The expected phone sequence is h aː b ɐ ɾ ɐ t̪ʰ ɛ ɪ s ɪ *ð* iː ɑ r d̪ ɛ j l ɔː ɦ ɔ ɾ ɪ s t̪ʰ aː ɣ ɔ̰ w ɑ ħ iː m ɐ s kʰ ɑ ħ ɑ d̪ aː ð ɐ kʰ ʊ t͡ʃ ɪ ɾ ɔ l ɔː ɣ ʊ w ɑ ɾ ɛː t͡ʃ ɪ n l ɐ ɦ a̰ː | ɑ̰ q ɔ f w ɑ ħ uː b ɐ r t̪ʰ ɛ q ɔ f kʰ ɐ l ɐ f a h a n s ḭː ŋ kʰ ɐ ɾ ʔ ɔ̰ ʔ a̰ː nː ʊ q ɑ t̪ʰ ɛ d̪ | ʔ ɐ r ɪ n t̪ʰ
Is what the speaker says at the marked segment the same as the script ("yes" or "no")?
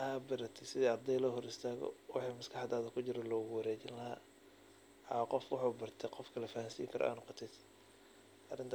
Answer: yes